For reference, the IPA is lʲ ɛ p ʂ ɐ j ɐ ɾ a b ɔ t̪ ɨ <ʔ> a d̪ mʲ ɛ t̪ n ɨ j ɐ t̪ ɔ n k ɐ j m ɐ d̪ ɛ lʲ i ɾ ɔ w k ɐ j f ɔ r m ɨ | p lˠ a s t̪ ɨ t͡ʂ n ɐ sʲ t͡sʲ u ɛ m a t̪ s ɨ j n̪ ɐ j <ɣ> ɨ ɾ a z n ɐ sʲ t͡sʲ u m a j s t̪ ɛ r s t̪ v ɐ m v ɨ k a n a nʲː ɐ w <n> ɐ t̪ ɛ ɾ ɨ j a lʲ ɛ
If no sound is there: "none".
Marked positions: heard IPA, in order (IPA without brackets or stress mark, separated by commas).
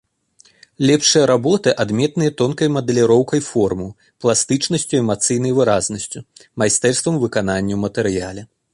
ʔ, v, m